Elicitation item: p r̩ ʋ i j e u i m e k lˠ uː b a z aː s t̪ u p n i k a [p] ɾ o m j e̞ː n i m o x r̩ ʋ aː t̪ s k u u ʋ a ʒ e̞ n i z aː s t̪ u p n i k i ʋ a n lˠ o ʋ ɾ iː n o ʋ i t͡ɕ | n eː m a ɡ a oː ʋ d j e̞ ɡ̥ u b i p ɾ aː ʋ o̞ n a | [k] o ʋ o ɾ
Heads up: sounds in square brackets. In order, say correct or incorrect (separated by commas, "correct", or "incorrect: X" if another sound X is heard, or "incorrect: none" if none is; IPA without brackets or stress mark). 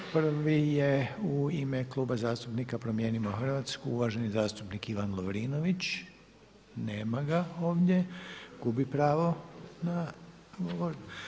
correct, incorrect: ɡ